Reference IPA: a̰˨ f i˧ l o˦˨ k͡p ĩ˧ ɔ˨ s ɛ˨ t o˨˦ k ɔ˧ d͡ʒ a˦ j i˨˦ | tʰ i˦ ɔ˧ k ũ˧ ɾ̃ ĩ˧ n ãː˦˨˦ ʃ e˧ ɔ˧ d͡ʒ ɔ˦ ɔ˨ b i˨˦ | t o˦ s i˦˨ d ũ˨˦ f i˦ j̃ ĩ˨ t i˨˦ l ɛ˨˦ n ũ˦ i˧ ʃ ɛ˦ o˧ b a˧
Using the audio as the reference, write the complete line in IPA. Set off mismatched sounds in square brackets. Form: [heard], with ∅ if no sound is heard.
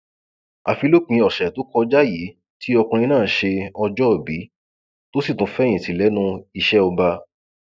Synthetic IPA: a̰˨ f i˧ l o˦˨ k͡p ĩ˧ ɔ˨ [ʃ] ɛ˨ t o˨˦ k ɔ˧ d͡ʒ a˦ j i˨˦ | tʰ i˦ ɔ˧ k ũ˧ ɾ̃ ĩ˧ n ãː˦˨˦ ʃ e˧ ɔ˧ d͡ʒ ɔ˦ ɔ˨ b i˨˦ | t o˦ s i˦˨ [t] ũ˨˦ f [ɛ˦] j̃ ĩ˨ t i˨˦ l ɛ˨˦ n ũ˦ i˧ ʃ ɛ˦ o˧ b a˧